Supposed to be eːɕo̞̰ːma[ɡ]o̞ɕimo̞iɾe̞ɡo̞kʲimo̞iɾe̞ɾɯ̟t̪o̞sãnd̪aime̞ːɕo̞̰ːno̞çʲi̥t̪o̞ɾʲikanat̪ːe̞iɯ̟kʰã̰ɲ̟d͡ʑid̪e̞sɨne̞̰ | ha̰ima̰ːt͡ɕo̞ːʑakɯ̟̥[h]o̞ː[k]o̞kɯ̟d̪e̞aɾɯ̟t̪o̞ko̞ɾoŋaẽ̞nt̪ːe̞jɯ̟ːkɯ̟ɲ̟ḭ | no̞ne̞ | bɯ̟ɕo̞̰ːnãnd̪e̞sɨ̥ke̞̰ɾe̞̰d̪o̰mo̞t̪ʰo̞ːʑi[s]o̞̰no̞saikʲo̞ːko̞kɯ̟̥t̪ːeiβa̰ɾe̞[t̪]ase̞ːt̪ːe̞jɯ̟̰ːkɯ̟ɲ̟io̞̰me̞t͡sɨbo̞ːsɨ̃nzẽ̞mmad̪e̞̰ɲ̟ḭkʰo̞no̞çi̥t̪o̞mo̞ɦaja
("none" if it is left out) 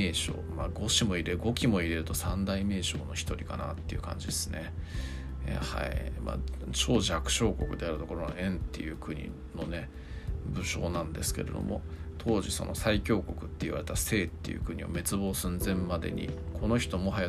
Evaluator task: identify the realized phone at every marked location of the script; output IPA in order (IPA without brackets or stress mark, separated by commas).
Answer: ɡ, ɕ, k, s, t̪